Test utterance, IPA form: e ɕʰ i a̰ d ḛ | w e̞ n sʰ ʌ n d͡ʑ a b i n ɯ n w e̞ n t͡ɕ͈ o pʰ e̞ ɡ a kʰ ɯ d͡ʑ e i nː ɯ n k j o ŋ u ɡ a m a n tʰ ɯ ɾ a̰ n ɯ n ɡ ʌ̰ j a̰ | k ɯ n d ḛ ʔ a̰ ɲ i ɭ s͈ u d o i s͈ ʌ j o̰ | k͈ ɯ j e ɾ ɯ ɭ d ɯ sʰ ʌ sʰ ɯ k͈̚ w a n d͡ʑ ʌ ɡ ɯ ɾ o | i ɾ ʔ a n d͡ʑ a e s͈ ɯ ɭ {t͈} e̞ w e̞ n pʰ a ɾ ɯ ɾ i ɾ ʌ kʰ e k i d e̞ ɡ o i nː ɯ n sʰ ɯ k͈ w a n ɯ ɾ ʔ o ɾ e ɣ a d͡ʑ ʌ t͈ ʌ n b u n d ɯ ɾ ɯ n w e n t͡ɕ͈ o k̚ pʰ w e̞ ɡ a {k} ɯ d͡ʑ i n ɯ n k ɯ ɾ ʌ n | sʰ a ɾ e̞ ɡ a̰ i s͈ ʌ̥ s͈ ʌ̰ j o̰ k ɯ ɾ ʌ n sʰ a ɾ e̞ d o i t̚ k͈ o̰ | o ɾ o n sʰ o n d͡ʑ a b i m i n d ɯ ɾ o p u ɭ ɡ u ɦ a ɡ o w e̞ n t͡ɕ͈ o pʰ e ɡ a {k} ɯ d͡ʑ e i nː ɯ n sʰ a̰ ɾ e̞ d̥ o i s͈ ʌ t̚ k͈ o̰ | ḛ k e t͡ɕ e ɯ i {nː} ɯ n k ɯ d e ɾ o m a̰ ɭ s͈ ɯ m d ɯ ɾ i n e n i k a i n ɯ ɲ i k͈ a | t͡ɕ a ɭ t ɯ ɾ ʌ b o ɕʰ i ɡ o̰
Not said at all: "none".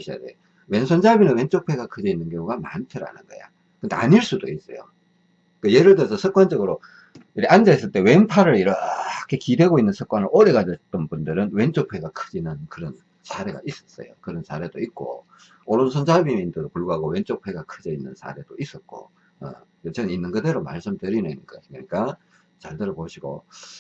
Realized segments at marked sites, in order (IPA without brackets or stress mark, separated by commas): t͈, kʰ, kʰ, nː